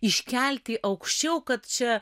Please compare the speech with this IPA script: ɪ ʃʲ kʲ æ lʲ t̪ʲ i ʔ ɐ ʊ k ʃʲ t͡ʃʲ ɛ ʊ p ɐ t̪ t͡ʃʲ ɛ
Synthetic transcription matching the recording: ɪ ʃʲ kʲ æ lʲ t̪ʲ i ʔ ɐ ʊ k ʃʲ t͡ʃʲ ɛ ʊ k ɐ t̪ t͡ʃʲ ɛ